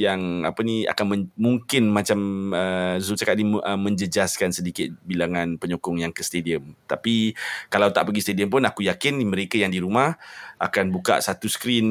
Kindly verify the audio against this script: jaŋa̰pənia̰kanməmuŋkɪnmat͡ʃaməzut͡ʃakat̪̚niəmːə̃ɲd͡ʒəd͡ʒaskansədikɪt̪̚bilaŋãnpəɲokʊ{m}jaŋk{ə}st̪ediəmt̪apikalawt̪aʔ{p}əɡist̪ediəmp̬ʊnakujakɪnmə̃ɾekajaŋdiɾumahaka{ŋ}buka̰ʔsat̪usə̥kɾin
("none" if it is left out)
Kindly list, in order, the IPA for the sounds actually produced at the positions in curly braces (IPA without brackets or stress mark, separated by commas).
ŋ, ə, p, n